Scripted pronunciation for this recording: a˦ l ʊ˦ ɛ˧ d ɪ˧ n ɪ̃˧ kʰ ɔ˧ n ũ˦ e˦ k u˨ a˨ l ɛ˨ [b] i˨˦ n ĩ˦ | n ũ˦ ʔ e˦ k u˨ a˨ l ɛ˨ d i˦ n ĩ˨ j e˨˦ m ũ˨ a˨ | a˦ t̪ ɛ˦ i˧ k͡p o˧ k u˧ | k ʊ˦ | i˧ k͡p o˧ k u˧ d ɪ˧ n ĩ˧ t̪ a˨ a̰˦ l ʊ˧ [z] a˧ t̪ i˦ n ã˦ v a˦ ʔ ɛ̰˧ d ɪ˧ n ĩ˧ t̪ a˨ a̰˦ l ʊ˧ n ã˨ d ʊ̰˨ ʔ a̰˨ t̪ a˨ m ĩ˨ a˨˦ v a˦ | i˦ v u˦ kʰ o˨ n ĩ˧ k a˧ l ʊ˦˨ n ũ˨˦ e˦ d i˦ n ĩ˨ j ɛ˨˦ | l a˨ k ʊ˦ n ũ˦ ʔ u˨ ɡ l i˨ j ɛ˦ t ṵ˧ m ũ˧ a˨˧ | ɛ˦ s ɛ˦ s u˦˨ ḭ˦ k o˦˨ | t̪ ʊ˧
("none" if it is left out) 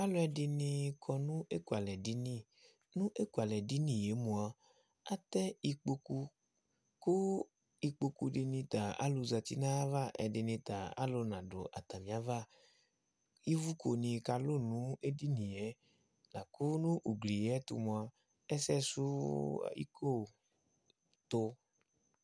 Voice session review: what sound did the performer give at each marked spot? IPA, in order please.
d, z

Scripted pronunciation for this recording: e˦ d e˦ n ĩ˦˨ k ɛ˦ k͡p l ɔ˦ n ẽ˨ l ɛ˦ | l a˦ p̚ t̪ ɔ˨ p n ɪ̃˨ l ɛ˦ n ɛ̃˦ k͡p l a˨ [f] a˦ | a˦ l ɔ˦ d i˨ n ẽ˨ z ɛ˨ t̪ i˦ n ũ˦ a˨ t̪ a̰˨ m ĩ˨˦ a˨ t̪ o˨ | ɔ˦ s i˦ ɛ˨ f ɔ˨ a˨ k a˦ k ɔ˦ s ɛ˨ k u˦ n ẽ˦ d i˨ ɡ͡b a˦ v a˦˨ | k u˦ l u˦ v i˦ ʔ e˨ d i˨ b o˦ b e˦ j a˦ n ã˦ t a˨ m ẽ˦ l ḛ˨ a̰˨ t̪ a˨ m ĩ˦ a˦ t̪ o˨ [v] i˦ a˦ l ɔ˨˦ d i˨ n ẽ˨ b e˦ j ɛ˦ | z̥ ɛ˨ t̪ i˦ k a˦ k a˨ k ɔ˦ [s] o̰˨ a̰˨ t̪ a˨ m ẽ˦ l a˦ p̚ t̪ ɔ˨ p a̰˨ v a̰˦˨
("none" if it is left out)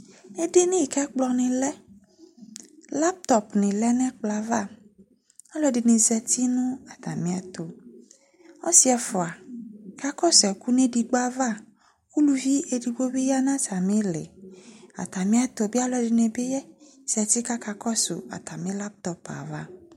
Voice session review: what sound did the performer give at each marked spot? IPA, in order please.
v, b, s

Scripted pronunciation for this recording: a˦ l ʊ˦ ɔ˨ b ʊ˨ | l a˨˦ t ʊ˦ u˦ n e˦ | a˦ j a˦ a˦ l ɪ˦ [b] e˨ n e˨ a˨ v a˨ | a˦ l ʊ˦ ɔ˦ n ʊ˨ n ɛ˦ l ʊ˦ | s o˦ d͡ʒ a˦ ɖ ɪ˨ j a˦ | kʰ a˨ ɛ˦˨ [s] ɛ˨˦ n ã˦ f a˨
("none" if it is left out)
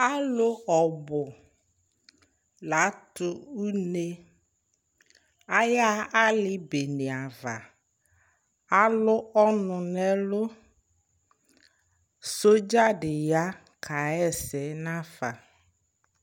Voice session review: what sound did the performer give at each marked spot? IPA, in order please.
b, s

